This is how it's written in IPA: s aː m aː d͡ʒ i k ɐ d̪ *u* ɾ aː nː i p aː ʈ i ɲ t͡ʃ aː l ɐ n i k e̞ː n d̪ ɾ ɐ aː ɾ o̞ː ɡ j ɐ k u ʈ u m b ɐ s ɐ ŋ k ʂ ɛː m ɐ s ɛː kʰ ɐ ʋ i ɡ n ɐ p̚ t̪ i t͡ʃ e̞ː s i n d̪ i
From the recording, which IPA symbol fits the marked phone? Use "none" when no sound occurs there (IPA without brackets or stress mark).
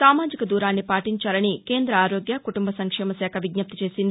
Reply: uː